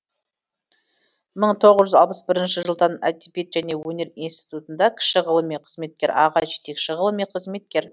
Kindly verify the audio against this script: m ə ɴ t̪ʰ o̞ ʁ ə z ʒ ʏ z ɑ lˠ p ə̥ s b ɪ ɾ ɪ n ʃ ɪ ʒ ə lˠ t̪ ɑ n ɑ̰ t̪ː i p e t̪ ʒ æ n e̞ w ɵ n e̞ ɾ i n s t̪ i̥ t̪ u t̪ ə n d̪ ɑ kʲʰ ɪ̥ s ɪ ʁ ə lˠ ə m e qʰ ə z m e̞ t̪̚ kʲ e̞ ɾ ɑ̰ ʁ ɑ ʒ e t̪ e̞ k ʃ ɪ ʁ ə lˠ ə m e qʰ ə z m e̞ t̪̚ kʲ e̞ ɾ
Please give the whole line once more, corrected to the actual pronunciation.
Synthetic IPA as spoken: m ə ɴ t̪ʰ o̞ ʁ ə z ʒ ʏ z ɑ lˠ p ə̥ s b ɪ ɾ ɪ n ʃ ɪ ʒ ə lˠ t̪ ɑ n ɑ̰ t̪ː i p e t̪ ʒ æ n e̞ w ɵ n e̞ ɾ i n s t̪ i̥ t̪ u t̪ ə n d̪ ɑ kʲʰ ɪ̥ ʃ ɪ ʁ ə lˠ ə m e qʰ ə z m e̞ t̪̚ kʲ e̞ ɾ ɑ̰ ʁ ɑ ʒ e t̪ e̞ k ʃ ɪ ʁ ə lˠ ə m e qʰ ə z m e̞ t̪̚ kʲ e̞ ɾ